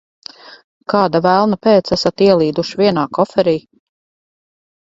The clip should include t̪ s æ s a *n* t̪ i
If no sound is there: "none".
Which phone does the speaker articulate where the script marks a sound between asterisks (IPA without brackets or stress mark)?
none